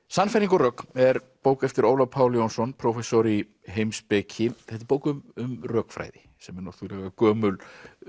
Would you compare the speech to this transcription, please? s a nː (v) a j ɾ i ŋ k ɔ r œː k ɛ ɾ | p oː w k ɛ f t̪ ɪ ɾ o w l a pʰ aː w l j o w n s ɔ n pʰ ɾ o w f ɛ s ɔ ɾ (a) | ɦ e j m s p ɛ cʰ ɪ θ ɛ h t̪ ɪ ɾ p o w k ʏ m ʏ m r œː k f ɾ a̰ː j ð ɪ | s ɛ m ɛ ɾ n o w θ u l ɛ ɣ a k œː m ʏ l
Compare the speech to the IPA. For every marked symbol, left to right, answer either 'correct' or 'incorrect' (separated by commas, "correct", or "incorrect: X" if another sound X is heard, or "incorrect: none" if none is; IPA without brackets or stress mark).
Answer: incorrect: f, incorrect: i